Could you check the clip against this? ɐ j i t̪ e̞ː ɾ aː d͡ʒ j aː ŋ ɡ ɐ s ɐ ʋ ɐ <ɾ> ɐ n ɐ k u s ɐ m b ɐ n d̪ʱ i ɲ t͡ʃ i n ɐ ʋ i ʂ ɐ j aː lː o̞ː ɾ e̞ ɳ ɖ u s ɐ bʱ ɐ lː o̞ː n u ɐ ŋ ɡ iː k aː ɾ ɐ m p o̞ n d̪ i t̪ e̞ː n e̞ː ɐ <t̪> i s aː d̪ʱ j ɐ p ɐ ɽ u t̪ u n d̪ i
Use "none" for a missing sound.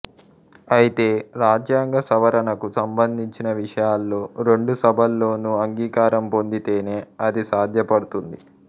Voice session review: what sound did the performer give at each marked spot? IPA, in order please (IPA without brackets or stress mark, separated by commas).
ɾ, d̪